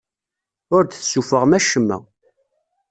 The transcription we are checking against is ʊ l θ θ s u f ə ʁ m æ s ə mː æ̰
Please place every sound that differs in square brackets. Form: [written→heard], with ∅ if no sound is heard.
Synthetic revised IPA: ʊ [l→ɾ] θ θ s u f ə ʁ m æ [s→ʃ] ə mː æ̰